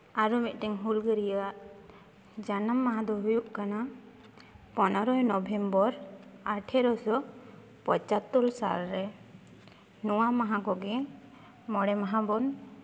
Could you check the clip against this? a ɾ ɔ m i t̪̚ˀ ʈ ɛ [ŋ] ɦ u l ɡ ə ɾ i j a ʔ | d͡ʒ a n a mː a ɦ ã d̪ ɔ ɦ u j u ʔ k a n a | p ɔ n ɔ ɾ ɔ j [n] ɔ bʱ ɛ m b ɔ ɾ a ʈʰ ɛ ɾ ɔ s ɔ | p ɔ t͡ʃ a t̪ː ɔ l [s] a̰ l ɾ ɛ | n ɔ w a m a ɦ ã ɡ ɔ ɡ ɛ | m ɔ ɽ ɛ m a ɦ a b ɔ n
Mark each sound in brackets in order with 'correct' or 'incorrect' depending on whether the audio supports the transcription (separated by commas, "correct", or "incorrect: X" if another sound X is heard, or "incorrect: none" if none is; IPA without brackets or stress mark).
correct, correct, correct